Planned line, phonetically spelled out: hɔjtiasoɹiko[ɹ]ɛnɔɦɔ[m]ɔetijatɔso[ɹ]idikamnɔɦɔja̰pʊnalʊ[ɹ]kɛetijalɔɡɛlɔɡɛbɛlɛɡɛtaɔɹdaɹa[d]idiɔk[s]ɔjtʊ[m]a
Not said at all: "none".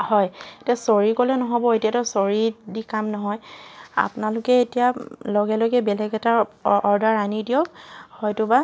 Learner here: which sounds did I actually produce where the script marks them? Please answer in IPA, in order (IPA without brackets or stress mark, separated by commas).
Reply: l, b, ɹ, none, n, h, b